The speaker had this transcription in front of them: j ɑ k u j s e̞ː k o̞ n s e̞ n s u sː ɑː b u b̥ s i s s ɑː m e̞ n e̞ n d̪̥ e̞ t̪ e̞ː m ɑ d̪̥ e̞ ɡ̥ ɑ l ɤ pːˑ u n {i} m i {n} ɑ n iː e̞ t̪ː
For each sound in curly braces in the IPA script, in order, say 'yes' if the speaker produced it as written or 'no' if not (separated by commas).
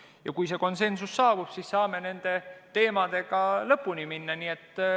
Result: yes, no